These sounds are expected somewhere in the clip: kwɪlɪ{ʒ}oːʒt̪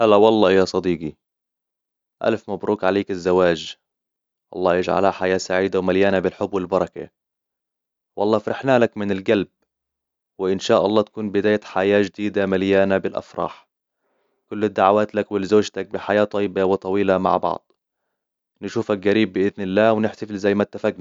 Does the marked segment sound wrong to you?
yes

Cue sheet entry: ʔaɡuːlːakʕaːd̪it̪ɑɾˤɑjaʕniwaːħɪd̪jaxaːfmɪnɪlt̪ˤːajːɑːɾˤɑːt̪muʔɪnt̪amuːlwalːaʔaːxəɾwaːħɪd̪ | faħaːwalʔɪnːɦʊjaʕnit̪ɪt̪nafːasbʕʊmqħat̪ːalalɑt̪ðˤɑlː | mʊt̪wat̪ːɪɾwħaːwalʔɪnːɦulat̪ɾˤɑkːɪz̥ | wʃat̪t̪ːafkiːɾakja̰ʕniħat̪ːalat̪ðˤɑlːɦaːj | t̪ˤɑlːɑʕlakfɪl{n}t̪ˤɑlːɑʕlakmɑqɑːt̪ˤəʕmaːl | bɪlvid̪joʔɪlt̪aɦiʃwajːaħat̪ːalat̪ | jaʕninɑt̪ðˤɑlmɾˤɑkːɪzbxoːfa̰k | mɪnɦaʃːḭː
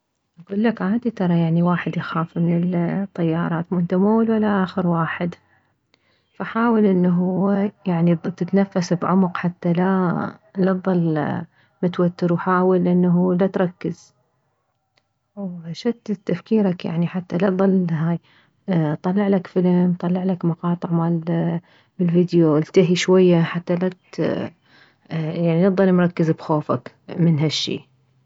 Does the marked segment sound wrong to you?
yes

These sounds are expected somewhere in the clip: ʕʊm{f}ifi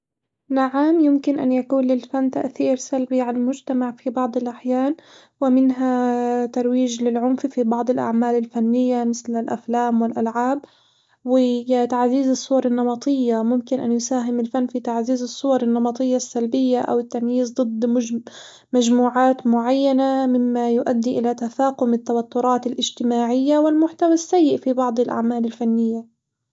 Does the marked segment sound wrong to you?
no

